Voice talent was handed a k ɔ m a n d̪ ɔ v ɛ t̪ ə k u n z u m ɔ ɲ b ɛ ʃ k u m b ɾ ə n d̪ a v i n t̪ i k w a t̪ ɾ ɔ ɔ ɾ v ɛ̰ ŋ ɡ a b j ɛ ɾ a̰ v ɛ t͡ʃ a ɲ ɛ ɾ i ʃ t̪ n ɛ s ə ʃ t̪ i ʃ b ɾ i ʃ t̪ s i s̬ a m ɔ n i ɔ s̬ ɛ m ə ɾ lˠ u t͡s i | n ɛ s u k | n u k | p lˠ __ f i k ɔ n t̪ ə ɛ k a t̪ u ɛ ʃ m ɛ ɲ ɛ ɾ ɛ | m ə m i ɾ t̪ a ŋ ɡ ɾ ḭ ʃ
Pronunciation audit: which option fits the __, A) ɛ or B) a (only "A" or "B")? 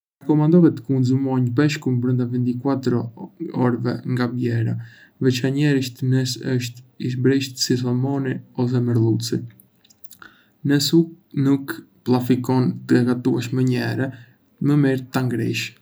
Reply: B